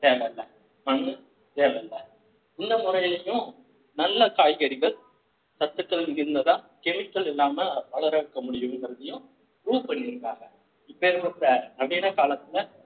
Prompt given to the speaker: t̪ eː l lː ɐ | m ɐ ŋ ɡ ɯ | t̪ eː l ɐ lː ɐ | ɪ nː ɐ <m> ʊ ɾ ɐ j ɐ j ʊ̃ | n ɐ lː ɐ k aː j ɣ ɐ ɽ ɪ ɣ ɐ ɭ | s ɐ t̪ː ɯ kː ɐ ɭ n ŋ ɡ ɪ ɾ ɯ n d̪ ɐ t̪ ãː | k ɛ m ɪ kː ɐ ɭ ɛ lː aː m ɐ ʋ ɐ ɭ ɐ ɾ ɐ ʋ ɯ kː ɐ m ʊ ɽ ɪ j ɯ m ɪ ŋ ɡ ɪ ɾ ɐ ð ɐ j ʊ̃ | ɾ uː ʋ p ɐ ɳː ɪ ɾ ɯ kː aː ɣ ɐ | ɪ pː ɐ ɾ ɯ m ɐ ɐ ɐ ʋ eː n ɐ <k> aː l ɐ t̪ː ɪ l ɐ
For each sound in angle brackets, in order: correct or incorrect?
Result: correct, correct

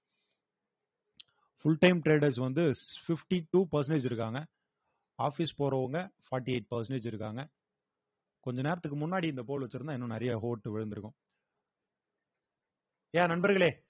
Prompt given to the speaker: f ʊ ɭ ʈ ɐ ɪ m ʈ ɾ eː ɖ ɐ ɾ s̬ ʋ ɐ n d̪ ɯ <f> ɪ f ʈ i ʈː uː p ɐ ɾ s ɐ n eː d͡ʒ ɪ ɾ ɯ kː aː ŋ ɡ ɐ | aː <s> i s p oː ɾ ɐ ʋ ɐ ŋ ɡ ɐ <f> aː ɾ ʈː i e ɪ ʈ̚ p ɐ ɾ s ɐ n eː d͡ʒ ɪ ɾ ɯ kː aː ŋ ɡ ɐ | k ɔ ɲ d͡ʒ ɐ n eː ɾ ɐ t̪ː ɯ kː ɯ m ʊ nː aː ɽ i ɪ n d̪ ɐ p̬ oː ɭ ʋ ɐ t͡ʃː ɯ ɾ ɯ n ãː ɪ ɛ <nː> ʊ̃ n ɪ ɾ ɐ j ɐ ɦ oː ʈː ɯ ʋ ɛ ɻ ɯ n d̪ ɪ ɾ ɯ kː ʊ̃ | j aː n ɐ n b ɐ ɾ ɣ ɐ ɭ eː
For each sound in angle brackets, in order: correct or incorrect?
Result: correct, incorrect, correct, correct

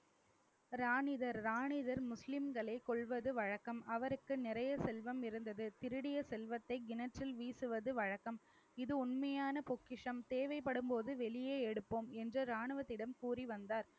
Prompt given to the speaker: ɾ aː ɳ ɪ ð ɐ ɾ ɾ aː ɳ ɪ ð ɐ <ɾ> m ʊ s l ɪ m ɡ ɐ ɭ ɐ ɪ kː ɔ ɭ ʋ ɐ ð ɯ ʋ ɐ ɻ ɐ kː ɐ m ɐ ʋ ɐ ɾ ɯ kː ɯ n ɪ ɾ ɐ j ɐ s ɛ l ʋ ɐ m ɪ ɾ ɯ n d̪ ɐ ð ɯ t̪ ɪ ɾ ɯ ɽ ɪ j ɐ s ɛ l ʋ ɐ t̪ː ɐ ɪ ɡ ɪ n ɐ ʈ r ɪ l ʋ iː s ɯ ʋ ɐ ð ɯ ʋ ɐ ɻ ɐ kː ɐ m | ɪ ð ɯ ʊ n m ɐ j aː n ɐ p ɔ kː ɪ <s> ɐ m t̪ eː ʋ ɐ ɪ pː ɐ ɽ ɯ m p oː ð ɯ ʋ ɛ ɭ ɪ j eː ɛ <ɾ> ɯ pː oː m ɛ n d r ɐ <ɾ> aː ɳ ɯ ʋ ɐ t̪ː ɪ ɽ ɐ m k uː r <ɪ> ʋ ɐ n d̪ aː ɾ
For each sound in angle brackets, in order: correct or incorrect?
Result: correct, incorrect, incorrect, correct, incorrect

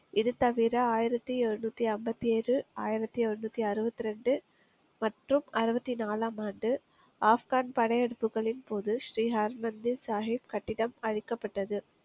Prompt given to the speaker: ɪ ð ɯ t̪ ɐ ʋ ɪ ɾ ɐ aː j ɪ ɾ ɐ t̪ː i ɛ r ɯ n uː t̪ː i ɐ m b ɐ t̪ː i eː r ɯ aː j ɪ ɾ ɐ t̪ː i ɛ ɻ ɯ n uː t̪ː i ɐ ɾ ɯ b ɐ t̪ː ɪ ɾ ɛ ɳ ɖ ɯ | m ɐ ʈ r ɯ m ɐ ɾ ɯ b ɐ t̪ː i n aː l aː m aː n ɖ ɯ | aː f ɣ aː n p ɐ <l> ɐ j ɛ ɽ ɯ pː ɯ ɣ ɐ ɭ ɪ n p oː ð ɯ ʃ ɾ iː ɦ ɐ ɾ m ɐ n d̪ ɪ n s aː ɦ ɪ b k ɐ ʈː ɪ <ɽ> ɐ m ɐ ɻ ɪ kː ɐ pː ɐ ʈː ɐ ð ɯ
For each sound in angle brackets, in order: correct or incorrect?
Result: incorrect, correct

